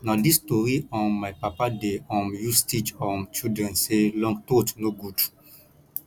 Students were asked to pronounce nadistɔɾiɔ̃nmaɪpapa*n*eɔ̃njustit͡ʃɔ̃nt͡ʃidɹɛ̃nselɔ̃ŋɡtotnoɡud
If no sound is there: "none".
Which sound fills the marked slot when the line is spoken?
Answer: d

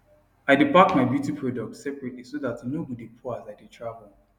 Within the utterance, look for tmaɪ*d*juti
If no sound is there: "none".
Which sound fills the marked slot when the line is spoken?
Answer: b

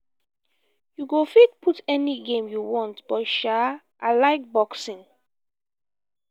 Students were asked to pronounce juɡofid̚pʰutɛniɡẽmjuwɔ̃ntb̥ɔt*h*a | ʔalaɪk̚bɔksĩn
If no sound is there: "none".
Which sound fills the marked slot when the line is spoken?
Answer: ʃ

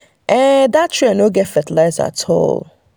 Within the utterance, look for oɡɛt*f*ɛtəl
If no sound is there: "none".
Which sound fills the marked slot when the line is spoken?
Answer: f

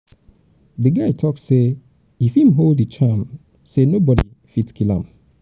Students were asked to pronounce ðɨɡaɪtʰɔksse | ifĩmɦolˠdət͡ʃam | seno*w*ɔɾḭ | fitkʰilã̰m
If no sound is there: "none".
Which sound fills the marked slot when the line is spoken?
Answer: b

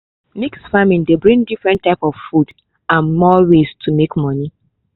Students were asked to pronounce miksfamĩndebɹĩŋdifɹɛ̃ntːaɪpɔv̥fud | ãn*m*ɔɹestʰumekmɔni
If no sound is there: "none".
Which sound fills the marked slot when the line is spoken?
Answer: m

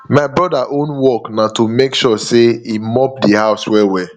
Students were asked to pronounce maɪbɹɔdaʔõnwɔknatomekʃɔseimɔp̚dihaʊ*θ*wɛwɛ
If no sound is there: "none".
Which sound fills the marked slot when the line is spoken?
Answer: s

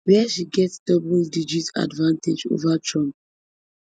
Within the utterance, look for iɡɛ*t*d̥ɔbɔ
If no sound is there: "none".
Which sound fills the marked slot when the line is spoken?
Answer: t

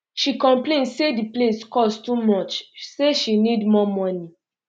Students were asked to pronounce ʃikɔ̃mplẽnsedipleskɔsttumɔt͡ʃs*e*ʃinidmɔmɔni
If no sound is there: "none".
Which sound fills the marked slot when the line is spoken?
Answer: e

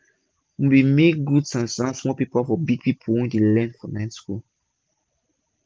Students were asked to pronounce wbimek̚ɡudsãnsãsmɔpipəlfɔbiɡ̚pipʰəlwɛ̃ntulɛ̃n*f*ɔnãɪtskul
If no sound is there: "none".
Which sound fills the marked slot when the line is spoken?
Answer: f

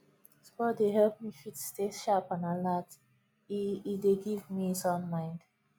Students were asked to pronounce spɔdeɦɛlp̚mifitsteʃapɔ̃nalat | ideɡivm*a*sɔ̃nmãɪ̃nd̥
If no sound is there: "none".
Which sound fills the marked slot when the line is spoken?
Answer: i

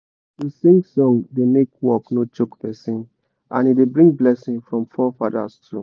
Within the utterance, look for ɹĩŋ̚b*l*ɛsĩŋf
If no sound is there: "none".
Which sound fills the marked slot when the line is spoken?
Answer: l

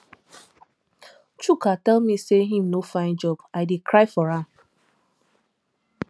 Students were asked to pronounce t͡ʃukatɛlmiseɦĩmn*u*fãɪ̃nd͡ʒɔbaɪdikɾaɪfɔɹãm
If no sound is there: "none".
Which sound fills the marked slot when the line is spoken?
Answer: o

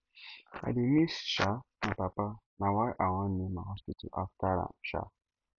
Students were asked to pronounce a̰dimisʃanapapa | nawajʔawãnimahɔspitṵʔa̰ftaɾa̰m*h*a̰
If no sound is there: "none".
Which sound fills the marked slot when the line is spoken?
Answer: ʃ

